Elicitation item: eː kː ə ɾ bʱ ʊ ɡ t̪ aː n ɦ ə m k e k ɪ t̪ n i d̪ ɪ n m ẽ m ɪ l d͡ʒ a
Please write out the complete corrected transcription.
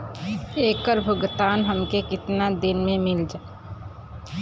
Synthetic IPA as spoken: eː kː ə ɾ bʱ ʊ ɡ t̪ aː n ɦ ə m k e k ɪ t̪ n a d̪ ɪ n m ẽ m ɪ l d͡ʒ a